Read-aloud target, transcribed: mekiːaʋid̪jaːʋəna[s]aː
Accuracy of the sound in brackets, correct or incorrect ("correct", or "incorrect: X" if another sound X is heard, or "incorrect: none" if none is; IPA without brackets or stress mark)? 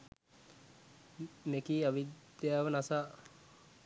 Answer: correct